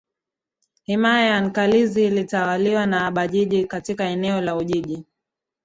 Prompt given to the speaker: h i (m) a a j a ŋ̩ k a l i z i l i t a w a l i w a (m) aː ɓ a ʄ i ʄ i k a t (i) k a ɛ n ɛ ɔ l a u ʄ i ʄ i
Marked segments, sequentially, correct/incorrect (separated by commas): correct, incorrect, correct